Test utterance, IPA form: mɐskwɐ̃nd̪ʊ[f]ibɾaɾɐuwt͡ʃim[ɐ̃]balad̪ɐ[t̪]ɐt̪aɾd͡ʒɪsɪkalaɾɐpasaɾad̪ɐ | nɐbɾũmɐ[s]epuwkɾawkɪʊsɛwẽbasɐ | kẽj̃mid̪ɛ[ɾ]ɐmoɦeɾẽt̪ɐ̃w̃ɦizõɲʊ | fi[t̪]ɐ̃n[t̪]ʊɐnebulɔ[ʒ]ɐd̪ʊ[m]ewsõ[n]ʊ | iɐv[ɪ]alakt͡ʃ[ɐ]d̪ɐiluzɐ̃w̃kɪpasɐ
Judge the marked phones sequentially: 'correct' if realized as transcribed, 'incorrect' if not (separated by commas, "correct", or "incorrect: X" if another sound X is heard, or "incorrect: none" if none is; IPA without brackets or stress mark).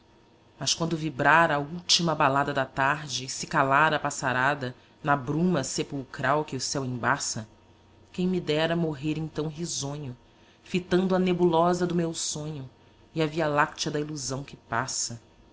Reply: incorrect: v, incorrect: ɐ, incorrect: d̪, correct, correct, correct, incorrect: d̪, incorrect: z, correct, incorrect: ɲ, incorrect: i, correct